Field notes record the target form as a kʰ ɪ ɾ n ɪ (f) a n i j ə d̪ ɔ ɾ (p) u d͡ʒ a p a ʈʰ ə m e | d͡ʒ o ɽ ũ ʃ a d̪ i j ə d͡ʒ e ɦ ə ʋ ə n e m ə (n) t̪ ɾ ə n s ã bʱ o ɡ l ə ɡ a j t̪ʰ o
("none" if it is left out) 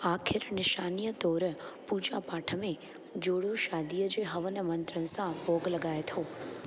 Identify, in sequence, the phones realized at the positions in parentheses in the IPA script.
ʃ, p, n

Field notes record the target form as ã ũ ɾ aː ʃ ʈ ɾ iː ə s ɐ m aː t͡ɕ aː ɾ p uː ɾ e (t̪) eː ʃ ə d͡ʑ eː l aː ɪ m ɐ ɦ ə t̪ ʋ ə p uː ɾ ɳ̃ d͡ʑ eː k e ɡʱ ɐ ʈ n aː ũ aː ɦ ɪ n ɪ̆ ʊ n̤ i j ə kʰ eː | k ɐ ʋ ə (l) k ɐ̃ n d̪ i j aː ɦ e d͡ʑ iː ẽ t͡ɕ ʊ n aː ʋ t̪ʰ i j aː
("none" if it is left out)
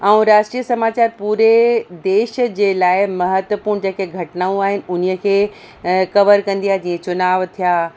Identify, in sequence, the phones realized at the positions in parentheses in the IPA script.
d̪, ɾ

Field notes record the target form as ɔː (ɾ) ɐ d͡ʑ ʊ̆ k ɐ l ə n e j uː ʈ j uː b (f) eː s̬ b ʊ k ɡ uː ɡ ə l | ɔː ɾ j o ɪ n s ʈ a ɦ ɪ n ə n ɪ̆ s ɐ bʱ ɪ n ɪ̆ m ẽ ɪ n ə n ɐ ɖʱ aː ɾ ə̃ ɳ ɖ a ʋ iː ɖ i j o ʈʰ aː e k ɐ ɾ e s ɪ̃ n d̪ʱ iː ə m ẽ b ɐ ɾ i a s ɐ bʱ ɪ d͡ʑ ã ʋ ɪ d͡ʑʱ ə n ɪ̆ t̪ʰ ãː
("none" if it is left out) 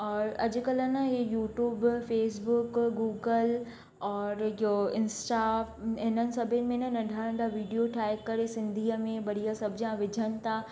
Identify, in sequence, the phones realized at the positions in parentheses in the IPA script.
ɾ, f

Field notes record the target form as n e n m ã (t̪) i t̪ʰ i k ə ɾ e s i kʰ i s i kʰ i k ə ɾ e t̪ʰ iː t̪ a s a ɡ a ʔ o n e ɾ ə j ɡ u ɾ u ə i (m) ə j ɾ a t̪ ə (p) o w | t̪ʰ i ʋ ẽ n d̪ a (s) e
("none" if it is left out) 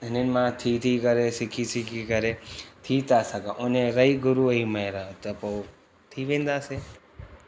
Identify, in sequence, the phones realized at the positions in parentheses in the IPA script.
t̪ʰ, m, p, s

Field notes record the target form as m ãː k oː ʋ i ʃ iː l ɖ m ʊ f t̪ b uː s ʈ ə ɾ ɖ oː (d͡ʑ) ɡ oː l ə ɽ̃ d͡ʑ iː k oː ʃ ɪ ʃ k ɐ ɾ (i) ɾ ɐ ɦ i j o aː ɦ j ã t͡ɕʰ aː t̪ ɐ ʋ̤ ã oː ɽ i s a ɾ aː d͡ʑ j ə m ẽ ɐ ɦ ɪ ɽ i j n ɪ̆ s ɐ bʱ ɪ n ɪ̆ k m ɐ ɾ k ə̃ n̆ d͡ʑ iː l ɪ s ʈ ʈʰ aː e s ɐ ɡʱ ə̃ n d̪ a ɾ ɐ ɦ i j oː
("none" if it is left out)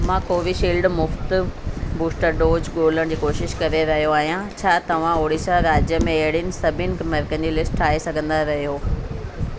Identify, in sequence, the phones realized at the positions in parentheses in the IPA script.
d͡ʑ, e

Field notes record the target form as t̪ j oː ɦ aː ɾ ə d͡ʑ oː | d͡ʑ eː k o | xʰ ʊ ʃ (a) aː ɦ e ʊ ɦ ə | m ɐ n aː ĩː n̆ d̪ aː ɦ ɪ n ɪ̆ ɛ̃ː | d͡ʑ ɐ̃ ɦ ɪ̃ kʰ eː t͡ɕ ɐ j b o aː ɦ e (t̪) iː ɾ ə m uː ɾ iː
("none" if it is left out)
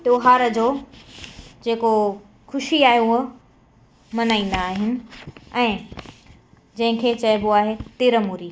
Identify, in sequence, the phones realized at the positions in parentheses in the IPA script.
i, t̪

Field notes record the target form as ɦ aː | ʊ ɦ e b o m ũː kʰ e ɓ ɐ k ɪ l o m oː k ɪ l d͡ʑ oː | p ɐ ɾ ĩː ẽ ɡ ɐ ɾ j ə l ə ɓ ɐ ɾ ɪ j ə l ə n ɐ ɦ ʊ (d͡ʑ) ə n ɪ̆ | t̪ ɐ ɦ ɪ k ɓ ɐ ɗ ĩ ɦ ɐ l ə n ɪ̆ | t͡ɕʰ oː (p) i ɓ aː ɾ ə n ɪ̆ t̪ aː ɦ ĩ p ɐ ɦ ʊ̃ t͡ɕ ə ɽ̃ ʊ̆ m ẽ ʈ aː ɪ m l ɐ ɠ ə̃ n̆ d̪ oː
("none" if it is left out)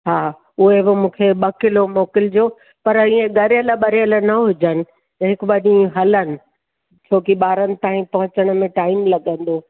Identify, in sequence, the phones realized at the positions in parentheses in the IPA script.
d͡ʑ, k

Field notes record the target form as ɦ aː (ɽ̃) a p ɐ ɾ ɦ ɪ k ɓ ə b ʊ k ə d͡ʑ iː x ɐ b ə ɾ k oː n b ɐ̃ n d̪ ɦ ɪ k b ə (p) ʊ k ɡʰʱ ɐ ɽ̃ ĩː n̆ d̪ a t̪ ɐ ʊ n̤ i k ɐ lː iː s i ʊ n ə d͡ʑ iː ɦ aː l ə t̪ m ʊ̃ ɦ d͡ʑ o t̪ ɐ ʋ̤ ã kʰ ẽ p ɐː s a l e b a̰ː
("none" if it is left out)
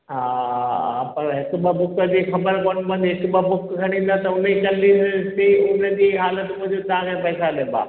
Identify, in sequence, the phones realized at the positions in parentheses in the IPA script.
none, b

